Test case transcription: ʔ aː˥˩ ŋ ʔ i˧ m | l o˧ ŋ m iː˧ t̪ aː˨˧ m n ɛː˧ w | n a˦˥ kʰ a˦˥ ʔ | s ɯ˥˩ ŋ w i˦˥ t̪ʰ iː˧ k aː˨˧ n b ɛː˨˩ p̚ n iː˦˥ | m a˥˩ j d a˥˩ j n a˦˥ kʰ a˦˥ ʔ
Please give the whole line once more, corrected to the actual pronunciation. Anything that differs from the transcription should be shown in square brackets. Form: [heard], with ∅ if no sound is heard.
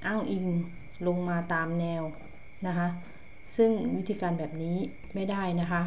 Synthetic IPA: ʔ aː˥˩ ŋ ʔ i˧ [ŋ] | l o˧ ŋ m [aː˧] t̪ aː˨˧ m n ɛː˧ w | n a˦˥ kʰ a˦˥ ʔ | s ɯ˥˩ ŋ w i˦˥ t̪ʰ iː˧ k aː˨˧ n b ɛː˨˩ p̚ n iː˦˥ | m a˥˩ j d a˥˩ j n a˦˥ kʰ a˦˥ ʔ